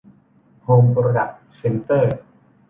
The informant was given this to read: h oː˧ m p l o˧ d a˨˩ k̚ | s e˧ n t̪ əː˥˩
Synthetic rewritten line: h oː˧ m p ɾ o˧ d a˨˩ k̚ | s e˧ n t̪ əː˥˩